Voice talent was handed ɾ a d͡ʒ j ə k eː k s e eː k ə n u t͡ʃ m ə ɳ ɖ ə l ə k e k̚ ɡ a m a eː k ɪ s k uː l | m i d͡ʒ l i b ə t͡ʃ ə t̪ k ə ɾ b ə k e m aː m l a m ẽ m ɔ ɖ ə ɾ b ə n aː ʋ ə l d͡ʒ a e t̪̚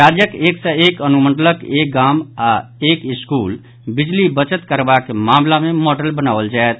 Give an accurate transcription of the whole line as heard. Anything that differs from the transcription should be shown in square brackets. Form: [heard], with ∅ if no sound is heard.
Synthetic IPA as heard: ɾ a d͡ʒ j ə k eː k s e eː k ə n u [∅] m ə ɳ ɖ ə l ə k e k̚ ɡ a m a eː k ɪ s k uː l | [b] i d͡ʒ l i b ə t͡ʃ ə t̪ k ə ɾ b [a] k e m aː m l a m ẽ m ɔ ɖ ə [l] b ə n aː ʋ ə l d͡ʒ a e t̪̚

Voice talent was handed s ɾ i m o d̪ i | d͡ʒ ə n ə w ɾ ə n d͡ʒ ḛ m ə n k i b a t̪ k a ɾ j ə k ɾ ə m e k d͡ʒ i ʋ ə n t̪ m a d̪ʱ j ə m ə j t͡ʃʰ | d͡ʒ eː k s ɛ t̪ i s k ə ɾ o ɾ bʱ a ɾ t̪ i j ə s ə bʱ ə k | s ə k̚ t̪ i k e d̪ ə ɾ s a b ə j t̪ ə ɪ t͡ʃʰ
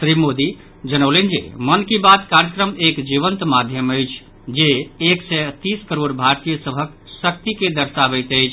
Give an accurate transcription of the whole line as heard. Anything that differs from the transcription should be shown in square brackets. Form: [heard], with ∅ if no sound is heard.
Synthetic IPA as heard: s ɾ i m o d̪ i | d͡ʒ ə n ə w [l] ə n d͡ʒ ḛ m ə n k i b a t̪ k a ɾ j ə k ɾ ə m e k d͡ʒ i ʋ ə n t̪ m a d̪ʱ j ə m ə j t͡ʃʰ | d͡ʒ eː k s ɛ t̪ i s k ə ɾ o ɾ bʱ a ɾ t̪ i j ə s ə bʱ ə k | s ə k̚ t̪ i k e d̪ ə ɾ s a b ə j t̪ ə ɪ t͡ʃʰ

